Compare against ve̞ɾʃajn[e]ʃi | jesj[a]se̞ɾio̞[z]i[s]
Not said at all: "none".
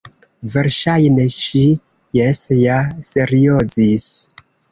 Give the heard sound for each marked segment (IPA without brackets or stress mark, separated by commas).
e, a, z, s